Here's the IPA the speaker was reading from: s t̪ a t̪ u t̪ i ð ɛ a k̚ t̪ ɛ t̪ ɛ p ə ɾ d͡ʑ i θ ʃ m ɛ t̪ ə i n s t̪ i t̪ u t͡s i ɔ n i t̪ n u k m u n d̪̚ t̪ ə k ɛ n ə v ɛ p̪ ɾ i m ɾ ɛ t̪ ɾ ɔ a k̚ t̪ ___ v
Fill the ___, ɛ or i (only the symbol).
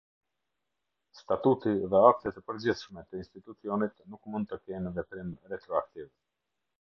i